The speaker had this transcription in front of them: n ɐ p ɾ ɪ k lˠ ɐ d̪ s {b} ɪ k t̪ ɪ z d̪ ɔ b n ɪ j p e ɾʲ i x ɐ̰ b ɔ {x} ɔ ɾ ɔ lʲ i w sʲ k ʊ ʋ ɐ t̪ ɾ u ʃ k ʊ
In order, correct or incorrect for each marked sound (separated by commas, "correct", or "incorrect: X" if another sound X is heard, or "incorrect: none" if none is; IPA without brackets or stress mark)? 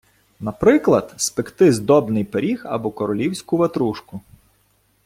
incorrect: p, incorrect: k